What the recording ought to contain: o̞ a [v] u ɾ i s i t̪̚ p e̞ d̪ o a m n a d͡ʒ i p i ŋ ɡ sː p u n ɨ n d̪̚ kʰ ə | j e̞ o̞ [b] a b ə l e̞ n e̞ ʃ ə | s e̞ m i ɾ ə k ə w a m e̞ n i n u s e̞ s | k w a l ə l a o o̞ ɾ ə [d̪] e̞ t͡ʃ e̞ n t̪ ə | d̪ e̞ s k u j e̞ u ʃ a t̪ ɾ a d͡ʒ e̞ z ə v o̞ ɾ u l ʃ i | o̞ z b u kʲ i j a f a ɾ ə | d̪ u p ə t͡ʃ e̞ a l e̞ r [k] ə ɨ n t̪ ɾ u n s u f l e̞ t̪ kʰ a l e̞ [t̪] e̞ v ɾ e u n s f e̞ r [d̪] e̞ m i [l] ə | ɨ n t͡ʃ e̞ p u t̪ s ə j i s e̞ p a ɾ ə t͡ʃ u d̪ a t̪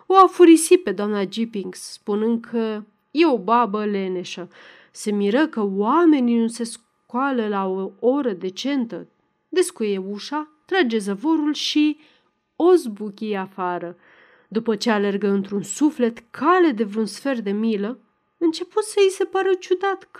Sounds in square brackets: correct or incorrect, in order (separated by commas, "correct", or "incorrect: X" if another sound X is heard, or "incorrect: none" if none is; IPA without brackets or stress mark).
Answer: incorrect: f, correct, correct, incorrect: ɡ, incorrect: d̪, correct, correct